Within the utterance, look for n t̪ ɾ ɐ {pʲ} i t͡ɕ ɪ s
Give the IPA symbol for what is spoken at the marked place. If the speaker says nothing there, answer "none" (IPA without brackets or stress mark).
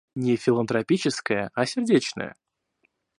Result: pʲ